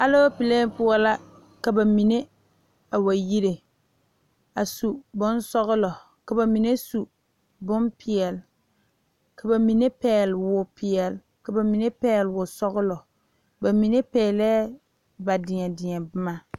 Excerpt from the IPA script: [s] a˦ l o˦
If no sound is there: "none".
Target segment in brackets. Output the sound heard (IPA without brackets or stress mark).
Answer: h